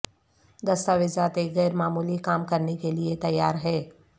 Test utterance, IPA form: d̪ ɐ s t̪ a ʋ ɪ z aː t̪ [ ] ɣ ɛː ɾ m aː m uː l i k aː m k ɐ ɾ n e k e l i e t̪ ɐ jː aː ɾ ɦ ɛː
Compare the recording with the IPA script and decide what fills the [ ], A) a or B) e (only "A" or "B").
B